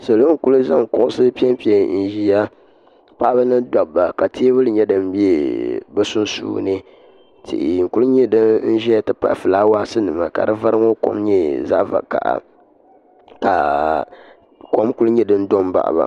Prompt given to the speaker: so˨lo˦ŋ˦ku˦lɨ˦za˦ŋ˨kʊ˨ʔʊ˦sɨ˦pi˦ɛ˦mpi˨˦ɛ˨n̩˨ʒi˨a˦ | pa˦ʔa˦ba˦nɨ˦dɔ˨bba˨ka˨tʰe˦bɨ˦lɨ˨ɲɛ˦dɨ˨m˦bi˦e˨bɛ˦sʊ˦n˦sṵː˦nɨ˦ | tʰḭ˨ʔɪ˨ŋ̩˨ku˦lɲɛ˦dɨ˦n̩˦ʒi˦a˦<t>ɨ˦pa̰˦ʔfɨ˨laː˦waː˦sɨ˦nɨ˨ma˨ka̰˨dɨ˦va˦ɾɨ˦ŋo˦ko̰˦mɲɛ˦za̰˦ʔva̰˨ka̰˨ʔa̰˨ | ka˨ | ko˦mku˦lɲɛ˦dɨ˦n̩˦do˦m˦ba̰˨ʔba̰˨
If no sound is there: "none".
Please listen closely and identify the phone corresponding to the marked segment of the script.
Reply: t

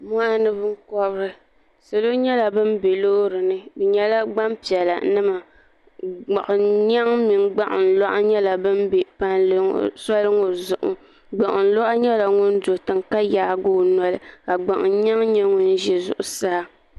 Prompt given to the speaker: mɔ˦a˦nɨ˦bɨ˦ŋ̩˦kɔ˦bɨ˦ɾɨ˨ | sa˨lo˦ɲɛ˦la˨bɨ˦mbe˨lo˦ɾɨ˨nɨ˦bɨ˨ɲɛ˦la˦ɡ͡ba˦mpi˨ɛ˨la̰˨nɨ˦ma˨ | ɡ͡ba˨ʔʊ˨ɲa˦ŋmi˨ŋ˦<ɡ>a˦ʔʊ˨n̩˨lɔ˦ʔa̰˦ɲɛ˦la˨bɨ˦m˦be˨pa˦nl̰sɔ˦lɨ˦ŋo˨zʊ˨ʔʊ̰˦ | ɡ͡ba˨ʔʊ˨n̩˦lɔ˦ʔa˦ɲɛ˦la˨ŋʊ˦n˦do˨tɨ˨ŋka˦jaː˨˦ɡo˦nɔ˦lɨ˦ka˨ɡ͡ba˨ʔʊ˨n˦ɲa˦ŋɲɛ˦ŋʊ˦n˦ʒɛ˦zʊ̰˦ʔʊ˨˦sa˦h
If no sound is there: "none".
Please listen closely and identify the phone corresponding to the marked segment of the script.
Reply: ɡ͡b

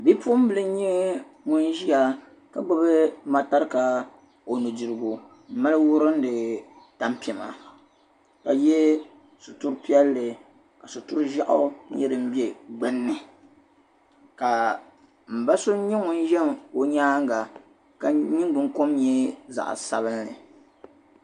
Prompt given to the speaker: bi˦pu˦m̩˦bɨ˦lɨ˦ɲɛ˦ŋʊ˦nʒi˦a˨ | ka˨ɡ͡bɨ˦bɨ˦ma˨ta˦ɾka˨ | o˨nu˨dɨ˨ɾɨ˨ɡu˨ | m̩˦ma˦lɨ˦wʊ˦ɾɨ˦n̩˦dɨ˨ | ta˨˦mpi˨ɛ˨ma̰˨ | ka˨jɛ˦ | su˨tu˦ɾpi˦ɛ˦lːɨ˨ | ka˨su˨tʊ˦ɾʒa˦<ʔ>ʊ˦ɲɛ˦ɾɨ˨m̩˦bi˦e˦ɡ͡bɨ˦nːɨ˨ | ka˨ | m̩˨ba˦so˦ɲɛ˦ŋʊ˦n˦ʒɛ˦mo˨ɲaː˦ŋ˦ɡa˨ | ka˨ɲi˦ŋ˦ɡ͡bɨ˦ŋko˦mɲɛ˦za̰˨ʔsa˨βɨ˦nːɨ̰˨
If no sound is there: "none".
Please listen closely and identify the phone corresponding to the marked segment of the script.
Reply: ʔ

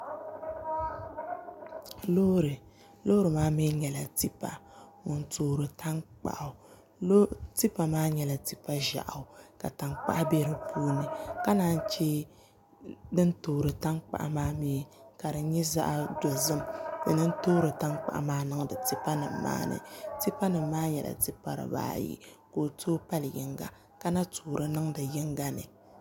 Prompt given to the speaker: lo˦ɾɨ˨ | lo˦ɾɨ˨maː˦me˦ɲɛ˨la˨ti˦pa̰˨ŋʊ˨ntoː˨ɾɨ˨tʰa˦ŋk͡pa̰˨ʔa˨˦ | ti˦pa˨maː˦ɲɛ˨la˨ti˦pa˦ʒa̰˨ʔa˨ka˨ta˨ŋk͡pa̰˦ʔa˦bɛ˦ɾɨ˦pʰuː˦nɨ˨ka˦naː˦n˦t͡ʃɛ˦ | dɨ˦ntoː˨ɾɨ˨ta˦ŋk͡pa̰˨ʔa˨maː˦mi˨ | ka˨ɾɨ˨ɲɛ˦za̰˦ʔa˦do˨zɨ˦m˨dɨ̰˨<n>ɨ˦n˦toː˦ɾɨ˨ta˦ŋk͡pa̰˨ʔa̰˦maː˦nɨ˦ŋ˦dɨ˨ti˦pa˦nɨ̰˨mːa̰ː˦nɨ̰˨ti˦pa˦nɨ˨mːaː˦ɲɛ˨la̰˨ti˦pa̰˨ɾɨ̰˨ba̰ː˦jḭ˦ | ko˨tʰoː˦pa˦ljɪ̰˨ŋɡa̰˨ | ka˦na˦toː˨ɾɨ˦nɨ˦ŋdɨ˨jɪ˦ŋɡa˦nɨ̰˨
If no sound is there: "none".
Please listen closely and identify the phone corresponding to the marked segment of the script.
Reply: n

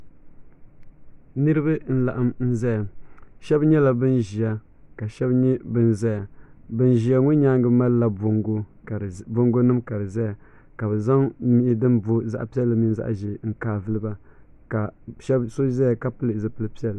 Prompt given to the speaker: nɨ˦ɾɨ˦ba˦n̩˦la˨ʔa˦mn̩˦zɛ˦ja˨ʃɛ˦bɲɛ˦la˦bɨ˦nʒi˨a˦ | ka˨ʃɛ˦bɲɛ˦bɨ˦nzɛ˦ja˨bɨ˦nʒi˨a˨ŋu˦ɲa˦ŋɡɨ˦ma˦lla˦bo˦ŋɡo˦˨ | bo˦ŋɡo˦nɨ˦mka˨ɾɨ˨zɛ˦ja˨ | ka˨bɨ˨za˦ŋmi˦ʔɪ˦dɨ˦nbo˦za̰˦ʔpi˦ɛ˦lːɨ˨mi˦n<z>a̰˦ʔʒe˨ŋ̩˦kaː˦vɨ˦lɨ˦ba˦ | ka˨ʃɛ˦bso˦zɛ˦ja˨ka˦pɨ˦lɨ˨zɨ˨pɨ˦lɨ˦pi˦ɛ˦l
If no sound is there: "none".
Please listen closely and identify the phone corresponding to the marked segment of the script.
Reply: z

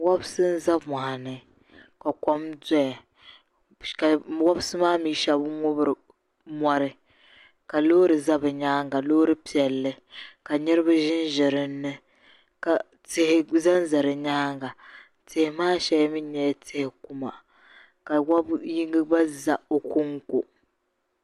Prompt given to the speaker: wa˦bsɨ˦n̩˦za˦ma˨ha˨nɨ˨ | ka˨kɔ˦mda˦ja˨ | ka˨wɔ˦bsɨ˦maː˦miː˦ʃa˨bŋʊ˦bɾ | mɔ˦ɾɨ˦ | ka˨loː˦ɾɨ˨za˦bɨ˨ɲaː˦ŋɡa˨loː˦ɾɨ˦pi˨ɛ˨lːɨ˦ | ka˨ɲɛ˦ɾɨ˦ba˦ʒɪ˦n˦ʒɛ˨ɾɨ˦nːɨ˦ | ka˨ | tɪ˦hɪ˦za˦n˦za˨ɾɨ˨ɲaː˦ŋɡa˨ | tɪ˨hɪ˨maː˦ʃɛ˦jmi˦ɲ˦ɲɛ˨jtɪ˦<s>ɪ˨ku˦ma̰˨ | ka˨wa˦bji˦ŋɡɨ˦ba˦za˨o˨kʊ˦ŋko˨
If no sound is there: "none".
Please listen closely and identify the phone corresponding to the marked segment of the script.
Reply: h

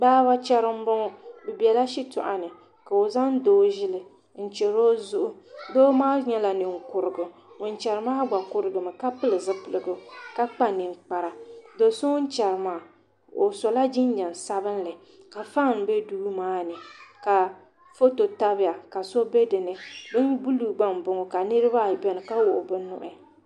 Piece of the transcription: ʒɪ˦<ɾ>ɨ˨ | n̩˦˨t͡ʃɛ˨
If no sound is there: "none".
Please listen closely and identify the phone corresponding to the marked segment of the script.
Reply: l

